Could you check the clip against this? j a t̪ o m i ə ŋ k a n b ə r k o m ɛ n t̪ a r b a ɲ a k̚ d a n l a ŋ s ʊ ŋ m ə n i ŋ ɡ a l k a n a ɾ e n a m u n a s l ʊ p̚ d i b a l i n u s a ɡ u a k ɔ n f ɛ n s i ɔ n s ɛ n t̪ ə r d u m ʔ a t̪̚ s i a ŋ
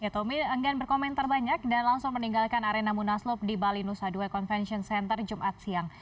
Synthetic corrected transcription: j a t̪ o m i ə ŋ ɡ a n b ə r k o m ɛ n t̪ a r b a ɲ a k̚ d a n l a ŋ s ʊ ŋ m ə n i ŋ ɡ a l k a n a ɾ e n a m u n a s l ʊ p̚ d i b a l i n u s a d u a k ɔ n f ɛ n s i ɔ n s ɛ n t̪ ə r d͡ʒ u m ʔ a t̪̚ s i a ŋ